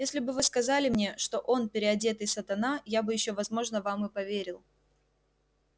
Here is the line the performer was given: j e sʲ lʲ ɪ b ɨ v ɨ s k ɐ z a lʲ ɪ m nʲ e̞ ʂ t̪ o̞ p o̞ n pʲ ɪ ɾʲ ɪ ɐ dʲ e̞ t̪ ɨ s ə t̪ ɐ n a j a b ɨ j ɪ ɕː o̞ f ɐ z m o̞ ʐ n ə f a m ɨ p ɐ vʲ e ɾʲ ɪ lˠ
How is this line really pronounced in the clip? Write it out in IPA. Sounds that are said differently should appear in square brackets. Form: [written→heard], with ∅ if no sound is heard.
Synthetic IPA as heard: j e sʲ lʲ ɪ b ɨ v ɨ s k ɐ z a lʲ ɪ m nʲ e̞ ʂ t̪ o̞ [p→ʔ] o̞ n pʲ ɪ ɾʲ ɪ ɐ dʲ e̞ t̪ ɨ s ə t̪ ɐ n a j a b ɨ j ɪ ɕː o̞ [f→v] ɐ z m o̞ ʐ n ə [f→v] a m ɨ p ɐ vʲ e ɾʲ ɪ lˠ

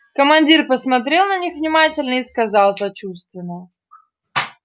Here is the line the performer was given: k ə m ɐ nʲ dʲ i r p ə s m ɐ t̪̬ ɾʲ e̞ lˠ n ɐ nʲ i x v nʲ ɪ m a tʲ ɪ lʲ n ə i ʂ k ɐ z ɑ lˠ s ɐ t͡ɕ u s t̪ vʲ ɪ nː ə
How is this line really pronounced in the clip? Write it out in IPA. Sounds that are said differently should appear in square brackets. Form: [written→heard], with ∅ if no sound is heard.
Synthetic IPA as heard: k ə m ɐ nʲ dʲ i r p ə s m ɐ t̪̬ ɾʲ e̞ lˠ n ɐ nʲ i x v nʲ ɪ m a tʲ ɪ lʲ n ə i [ʂ→s] k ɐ z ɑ lˠ s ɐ t͡ɕ u s t̪ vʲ ɪ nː ə

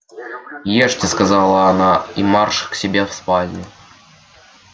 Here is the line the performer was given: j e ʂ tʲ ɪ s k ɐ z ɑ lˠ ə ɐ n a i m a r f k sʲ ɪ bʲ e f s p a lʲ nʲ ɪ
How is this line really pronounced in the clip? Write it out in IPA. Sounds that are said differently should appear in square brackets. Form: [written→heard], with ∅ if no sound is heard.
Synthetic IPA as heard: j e ʂ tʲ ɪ s k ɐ z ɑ lˠ ə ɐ n a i m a r [f→ʂ] k sʲ ɪ bʲ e f s p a lʲ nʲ ɪ

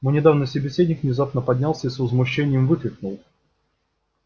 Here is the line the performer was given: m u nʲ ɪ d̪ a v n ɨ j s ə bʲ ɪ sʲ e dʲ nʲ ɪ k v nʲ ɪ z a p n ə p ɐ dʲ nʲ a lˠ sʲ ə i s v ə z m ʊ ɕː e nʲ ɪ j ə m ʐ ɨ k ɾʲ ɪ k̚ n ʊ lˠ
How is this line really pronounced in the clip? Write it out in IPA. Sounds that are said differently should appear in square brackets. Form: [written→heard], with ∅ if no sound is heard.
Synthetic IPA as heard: m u nʲ ɪ d̪ a v n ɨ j s ə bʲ ɪ sʲ e dʲ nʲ ɪ k v nʲ ɪ z a p n ə p ɐ dʲ nʲ a lˠ sʲ ə i s v ə z m ʊ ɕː e nʲ ɪ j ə m [ʐ→v] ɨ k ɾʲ ɪ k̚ n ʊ lˠ

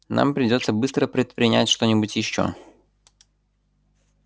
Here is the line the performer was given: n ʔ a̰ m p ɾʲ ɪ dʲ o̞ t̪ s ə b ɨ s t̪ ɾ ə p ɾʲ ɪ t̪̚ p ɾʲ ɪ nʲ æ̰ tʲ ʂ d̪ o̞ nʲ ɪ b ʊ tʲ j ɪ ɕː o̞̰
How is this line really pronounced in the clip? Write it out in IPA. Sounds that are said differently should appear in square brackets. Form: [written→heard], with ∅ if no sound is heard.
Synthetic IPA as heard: n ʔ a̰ m p ɾʲ ɪ dʲ o̞ t̪ s ə b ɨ s t̪ ɾ ə p ɾʲ ɪ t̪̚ p ɾʲ ɪ nʲ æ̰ tʲ ʂ [d̪→t̪] o̞ nʲ ɪ b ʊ tʲ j ɪ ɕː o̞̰

